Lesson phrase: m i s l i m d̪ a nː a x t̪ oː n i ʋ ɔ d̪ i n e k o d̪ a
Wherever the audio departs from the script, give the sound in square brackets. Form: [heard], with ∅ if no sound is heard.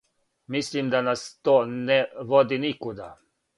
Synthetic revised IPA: m i s l i m d̪ a [n] a [s] t̪ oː n [ɛ] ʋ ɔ d̪ i n [i] k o d̪ a